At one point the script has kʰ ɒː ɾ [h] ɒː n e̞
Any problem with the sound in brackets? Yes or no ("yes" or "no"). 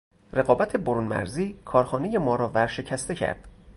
yes